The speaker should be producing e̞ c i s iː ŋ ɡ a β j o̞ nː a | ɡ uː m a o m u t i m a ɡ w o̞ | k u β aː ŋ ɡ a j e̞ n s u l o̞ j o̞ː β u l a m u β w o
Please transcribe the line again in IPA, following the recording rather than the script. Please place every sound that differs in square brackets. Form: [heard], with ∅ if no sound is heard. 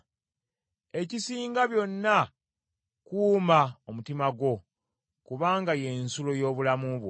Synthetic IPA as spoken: e̞ c i s iː ŋ ɡ a β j o̞ nː a | [k] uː m a o m u t i m a ɡ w o̞ | k u β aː ŋ ɡ a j e̞ n s u l o̞ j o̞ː β u l a m u β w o